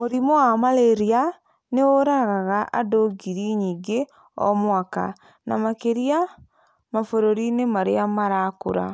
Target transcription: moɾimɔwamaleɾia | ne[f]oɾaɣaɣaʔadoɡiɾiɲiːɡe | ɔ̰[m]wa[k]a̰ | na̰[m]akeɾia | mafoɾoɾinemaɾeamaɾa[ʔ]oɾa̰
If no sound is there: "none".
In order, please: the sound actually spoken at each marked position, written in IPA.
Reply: none, m, k, m, k

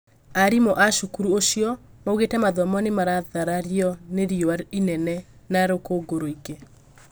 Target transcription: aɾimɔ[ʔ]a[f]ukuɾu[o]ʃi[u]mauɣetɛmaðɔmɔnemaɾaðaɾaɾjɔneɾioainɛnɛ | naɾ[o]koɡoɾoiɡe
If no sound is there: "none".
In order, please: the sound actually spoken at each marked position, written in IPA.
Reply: ʔ, ʃ, o, ɔ, o

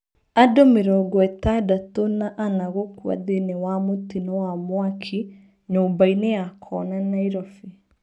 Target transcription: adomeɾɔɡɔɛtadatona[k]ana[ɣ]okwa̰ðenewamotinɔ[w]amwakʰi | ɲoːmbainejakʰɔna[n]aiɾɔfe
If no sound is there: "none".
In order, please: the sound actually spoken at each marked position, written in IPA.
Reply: ʔ, ɣ, w, n

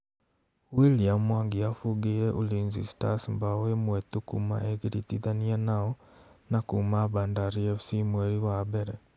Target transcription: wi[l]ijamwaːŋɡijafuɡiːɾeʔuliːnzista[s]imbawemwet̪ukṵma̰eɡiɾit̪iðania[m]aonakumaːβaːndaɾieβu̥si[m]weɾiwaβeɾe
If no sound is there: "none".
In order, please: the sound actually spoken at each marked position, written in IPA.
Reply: l, s, n, m

